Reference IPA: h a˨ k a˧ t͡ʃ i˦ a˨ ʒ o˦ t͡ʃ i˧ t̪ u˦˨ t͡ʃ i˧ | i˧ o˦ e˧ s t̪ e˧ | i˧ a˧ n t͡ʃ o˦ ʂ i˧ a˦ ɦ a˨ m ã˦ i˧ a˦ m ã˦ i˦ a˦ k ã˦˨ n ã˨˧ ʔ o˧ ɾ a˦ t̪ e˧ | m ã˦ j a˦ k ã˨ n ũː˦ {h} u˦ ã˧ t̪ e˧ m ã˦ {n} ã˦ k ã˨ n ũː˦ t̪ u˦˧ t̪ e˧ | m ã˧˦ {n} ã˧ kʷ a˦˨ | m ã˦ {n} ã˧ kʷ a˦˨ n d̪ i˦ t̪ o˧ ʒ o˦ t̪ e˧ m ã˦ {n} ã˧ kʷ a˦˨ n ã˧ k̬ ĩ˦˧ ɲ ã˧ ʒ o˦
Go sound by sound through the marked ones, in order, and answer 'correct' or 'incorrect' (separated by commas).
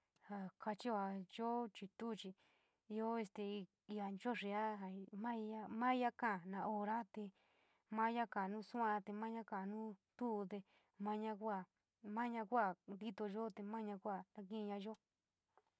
incorrect, incorrect, incorrect, incorrect, incorrect